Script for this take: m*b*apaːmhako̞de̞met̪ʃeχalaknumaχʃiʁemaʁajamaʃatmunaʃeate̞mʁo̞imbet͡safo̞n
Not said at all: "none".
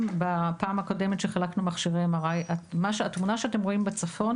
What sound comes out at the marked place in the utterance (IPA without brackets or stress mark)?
b